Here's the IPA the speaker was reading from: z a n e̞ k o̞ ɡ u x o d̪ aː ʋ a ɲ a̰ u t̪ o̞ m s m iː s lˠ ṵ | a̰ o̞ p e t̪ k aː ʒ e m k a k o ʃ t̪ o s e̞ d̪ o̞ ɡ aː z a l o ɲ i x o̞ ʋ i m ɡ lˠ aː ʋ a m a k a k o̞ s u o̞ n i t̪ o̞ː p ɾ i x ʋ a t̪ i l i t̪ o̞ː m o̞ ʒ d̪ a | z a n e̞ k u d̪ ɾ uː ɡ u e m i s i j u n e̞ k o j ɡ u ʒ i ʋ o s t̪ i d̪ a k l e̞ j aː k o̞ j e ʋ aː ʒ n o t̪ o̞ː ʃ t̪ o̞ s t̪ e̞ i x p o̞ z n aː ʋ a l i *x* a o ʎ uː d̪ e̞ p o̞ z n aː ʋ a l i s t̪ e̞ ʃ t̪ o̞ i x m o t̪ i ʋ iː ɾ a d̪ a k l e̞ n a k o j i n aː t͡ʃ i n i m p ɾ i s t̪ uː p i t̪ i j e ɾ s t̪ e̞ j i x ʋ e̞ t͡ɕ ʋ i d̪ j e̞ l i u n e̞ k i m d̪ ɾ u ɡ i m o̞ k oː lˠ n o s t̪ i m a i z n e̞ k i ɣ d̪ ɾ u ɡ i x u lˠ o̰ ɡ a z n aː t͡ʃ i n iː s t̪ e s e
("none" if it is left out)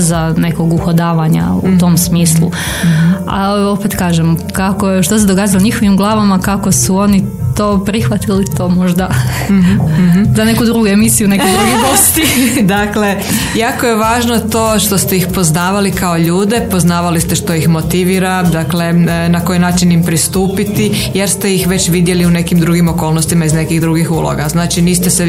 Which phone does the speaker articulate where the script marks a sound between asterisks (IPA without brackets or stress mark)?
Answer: k